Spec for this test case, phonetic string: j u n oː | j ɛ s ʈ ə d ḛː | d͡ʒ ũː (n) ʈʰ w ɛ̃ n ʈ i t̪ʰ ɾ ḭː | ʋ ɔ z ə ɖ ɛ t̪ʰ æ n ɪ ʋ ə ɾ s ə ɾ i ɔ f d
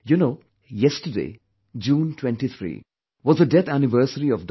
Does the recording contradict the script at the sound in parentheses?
no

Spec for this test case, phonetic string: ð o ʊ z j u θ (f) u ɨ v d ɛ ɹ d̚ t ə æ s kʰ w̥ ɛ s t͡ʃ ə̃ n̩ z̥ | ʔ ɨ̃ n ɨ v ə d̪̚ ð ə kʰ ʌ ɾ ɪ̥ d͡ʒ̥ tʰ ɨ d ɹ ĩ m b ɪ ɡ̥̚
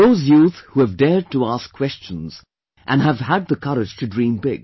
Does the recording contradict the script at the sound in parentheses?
yes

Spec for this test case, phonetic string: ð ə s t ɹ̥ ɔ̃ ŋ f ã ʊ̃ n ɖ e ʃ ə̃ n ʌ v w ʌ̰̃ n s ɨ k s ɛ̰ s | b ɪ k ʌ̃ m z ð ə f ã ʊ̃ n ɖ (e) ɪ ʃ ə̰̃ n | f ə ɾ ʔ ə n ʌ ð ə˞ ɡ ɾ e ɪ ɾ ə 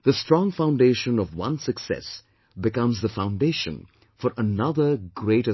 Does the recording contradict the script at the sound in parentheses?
no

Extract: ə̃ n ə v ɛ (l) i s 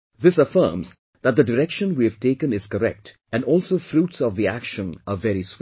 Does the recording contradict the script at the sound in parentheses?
yes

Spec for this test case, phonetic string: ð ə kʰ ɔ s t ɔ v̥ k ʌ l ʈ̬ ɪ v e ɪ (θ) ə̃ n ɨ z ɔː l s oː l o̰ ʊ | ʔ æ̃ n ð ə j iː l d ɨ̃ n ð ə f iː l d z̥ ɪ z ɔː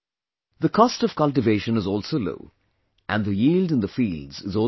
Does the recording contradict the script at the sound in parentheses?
yes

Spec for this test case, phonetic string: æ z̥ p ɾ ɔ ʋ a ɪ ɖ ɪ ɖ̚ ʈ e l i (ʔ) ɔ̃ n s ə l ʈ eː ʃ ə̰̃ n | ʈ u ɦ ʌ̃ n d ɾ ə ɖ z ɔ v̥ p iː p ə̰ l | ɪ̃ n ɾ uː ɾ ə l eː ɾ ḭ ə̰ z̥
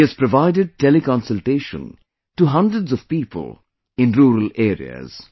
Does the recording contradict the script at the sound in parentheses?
yes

